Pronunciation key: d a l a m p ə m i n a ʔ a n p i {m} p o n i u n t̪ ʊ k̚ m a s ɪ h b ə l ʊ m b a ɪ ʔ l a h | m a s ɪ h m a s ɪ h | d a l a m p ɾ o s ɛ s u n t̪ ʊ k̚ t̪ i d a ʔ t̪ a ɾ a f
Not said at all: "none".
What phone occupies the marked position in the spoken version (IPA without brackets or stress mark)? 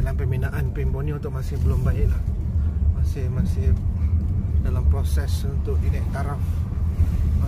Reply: m